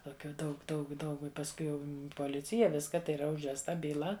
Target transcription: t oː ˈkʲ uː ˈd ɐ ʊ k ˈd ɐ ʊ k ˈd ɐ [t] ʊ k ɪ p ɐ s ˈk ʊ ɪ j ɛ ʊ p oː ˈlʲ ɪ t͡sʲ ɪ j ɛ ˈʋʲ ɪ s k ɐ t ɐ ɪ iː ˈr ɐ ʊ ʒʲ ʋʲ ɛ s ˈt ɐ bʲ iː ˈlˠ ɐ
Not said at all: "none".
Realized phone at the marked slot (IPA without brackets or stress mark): none